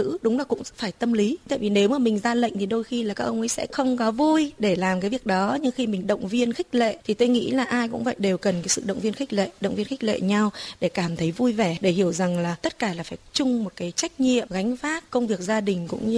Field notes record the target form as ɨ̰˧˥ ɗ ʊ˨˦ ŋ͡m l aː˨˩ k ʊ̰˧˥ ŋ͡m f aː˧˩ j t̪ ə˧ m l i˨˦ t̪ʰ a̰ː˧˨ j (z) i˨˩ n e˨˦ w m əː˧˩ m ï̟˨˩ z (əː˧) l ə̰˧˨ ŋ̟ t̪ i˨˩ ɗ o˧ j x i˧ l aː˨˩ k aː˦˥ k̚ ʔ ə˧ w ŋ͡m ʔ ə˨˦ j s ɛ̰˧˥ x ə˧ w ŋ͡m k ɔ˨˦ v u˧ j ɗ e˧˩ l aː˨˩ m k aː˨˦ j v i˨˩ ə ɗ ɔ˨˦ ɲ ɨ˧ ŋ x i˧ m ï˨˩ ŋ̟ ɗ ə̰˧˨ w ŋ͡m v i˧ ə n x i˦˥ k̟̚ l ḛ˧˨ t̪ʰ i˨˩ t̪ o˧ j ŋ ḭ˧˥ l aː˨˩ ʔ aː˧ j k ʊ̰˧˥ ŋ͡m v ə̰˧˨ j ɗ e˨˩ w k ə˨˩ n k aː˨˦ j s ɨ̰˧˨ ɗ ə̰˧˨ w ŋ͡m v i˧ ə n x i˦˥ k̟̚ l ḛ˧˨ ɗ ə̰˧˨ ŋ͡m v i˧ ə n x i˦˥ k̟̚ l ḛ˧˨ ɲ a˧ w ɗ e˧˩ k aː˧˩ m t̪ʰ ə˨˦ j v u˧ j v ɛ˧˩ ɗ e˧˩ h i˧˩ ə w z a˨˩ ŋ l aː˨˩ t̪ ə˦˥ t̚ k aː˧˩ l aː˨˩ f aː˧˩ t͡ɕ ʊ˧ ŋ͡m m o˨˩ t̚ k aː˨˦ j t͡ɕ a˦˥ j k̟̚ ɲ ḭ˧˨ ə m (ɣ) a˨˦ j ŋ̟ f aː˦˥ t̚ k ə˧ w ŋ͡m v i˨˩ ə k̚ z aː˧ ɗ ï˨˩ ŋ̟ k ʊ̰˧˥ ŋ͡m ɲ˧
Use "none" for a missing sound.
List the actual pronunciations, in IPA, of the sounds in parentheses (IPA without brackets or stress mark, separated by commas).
v, aː˧, ɣ